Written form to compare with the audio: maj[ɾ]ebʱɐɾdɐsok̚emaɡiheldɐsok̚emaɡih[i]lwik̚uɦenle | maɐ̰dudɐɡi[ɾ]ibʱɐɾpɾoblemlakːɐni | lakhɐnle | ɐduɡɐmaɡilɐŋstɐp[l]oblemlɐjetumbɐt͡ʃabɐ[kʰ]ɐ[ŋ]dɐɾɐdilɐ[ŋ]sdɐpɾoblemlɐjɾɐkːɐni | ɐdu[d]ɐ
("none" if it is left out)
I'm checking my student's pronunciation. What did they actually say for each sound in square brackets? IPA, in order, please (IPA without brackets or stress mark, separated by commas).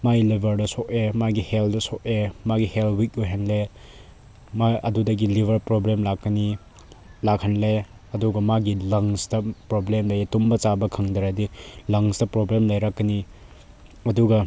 l, e, l, ɾ, kʰ, ŋ, ŋ, ɡ